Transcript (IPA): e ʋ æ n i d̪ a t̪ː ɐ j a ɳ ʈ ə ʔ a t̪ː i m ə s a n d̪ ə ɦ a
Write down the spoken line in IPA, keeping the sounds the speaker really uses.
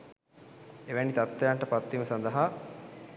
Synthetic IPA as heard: e ʋ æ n i t̪ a t̪ː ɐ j a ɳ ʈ ə p a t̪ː i m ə s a n d̪ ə ɦ a